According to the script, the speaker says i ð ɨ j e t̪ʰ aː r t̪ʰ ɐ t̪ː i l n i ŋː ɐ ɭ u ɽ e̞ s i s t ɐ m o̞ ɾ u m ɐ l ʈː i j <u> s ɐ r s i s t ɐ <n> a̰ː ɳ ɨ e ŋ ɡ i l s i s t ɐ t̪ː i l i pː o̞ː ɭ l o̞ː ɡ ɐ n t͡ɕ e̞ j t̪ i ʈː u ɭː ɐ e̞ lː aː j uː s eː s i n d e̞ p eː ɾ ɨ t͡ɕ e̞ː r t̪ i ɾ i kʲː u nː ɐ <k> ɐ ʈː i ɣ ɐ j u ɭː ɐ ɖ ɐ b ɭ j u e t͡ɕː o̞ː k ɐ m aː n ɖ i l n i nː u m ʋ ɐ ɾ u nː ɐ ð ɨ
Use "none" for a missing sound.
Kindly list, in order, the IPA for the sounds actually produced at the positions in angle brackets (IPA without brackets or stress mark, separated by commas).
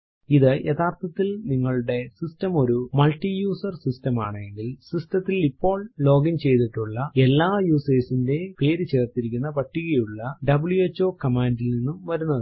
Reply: uː, m, p